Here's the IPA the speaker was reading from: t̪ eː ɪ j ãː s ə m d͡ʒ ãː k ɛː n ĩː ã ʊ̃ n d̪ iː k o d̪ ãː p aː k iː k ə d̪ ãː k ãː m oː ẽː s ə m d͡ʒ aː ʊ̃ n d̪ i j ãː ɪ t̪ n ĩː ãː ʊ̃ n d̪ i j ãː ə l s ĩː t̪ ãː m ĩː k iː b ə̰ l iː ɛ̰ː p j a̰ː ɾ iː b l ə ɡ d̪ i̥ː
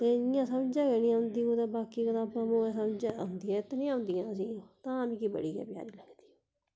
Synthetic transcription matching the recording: t̪ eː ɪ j ãː s ə m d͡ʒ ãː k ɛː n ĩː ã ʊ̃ n d̪ iː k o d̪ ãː b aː k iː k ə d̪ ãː p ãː m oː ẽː s ə m d͡ʒ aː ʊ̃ n d̪ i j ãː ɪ t̪ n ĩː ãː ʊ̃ n d̪ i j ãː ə s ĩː t̪ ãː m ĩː k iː b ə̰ ɽ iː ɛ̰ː p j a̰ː ɾ iː l ə ɡ d̪ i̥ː